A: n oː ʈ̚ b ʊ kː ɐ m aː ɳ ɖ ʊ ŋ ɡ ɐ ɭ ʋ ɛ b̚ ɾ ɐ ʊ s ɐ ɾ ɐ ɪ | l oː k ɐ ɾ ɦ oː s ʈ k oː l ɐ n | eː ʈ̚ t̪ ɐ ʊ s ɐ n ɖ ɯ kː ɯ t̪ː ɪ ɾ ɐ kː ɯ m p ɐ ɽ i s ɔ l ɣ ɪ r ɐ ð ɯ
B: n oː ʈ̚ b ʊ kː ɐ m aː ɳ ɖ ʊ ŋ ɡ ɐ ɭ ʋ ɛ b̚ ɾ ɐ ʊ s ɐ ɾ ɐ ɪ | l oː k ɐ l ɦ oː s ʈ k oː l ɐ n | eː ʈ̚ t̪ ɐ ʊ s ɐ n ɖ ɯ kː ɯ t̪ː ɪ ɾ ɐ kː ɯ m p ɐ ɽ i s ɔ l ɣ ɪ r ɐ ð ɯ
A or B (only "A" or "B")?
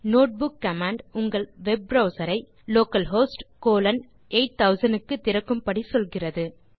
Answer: B